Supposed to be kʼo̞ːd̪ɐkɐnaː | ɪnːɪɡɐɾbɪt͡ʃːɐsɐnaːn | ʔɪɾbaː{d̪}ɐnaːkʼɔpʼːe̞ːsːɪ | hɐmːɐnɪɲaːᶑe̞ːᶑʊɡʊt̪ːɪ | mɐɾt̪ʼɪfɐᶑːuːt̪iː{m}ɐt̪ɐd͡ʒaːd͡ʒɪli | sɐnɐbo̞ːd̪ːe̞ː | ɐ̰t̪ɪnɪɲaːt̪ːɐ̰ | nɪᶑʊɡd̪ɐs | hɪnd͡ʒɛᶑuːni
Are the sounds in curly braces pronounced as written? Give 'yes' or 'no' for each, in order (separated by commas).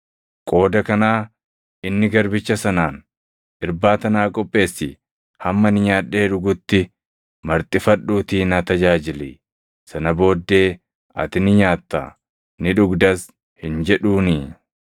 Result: no, no